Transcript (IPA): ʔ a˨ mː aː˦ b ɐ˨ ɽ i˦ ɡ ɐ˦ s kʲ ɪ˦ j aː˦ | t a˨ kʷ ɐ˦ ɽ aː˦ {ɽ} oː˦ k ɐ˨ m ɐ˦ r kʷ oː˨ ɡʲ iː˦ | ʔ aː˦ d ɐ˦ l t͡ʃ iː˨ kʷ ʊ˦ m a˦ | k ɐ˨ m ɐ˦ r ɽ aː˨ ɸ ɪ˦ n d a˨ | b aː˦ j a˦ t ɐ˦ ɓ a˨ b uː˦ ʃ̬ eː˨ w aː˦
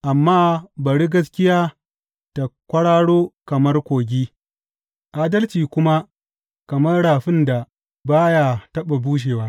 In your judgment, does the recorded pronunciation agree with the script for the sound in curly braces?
yes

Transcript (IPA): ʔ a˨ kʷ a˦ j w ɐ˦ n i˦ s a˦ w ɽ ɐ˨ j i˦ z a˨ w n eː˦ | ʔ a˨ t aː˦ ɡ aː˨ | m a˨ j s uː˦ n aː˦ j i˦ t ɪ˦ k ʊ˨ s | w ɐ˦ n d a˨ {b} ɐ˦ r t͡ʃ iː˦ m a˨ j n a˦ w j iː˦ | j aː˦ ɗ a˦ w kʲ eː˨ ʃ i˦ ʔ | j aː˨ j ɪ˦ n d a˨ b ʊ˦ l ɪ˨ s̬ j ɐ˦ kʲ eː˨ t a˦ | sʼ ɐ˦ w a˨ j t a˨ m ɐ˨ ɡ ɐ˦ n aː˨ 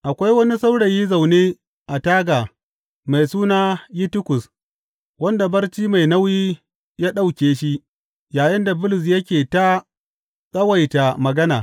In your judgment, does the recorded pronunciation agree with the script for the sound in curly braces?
yes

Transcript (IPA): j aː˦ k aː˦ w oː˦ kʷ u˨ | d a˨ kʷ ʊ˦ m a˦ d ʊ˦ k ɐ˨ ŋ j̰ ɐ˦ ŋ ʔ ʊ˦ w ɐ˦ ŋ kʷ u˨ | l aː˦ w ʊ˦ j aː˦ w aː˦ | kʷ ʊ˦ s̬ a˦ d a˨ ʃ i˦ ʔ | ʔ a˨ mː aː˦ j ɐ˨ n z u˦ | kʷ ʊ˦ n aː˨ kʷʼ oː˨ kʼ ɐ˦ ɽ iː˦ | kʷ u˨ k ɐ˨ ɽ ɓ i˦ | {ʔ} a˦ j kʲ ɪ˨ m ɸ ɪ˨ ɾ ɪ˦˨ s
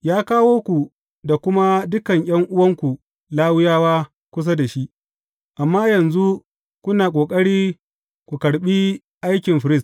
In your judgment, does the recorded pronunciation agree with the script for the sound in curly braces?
yes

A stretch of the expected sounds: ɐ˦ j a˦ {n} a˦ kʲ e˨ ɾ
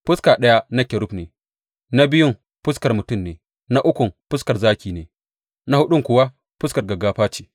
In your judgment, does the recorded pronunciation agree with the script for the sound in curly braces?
yes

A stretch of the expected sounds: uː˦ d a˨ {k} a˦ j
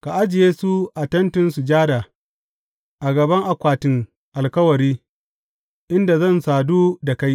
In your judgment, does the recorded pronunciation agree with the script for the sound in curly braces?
yes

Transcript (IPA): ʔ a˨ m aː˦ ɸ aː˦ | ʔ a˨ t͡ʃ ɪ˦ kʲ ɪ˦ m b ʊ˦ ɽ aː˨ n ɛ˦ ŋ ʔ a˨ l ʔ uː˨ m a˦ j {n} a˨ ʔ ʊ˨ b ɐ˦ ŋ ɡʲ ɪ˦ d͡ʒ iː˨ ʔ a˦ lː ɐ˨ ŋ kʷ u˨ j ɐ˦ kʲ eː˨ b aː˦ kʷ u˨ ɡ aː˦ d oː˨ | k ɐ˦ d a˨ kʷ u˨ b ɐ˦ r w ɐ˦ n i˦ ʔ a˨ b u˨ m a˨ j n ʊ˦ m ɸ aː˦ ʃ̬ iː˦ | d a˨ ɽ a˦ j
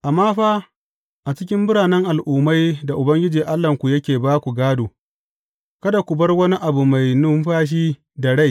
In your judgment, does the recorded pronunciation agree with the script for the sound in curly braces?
no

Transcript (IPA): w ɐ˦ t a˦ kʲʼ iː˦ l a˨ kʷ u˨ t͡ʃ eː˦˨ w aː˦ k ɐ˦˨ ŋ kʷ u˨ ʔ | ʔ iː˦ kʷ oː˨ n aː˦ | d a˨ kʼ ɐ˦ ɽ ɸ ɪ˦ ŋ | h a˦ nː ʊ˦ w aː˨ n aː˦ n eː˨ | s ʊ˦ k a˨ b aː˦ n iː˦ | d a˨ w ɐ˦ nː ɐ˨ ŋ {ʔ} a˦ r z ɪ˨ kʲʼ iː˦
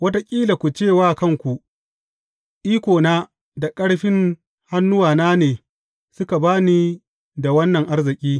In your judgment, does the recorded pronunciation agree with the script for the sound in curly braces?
yes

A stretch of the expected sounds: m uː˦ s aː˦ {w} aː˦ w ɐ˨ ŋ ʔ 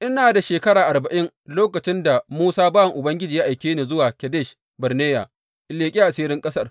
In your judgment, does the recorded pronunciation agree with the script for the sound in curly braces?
no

